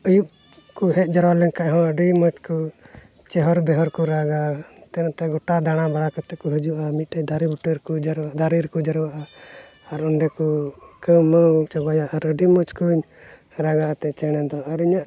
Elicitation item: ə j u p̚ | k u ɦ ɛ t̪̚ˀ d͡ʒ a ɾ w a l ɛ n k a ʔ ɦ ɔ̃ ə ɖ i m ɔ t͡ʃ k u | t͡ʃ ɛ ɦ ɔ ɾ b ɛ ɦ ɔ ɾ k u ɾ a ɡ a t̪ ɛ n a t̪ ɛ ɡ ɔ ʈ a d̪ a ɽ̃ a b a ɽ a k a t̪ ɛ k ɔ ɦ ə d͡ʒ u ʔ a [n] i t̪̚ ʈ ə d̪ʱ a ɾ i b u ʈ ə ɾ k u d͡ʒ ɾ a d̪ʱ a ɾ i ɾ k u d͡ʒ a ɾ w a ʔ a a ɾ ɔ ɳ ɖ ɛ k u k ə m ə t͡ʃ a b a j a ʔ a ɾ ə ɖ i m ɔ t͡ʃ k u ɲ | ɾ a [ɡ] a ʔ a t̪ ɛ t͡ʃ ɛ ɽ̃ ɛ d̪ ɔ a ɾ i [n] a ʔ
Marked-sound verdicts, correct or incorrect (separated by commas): incorrect, correct, incorrect